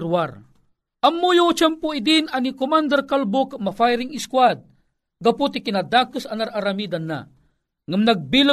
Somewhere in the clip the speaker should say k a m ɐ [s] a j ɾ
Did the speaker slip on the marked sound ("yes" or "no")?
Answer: yes